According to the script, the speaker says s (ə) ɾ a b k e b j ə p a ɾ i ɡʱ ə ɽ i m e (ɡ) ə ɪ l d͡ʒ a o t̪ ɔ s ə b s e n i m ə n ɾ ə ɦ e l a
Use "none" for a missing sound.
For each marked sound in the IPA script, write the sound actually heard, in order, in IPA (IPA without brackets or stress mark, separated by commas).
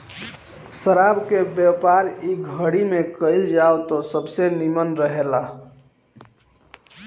ə, k